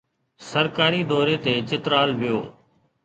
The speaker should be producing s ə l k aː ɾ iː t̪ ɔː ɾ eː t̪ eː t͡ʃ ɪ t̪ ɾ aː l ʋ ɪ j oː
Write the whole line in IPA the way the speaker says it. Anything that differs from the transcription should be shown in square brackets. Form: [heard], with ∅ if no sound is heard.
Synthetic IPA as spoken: s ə [ɾ] k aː ɾ iː [d̪] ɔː ɾ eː t̪ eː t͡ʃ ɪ t̪ ɾ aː l ʋ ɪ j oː